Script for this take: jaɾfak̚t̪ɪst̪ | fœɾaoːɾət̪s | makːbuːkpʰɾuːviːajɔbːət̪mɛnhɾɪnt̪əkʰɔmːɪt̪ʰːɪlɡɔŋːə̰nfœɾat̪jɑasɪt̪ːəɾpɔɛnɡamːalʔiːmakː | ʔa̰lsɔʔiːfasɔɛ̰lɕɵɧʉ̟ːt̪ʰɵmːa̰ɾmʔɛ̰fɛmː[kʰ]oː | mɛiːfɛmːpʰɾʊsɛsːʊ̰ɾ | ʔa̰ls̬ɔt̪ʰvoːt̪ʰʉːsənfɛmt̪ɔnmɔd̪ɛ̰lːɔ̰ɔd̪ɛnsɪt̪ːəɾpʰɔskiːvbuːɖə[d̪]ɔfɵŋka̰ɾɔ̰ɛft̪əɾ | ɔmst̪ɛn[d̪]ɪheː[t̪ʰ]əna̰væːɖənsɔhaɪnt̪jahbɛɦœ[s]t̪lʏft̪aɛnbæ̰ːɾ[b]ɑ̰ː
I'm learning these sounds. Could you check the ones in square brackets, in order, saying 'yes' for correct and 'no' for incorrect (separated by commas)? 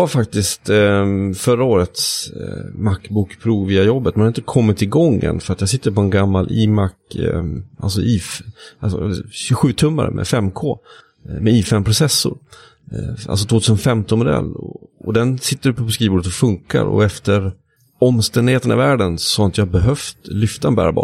yes, no, yes, no, no, yes